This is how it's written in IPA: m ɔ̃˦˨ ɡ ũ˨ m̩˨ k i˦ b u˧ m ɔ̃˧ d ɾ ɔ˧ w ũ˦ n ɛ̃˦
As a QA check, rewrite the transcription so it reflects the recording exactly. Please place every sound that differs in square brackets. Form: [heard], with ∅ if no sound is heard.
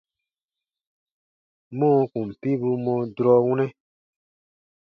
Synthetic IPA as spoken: m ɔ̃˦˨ [k] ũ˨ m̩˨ [p] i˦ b u˧ m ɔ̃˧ d ɾ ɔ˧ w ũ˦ n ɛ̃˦